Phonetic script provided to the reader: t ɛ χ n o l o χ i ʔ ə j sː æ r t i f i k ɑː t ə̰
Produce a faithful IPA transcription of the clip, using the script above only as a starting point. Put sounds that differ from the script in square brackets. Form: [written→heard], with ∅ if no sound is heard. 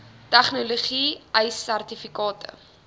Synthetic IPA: t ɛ χ n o l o χ i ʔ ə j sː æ r t i f i k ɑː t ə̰